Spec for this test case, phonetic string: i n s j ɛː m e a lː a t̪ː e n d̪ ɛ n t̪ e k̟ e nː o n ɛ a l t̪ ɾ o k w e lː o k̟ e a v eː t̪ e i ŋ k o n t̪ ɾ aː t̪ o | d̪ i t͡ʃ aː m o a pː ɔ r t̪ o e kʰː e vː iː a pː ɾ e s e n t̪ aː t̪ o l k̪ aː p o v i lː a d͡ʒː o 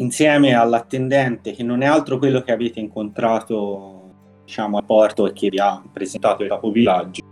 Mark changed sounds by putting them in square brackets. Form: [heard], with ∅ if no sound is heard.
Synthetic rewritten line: i n s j ɛː m e a lː a t̪ː e n d̪ ɛ n t̪ e k̟ e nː o n ɛ a l t̪ ɾ o k w e lː o k̟ e a v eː t̪ e i ŋ k o n t̪ ɾ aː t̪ o | d̪ i t͡ʃ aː m o a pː ɔ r t̪ o e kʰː e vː [i] a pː ɾ e [z] e n t̪ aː t̪ o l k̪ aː p o v i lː a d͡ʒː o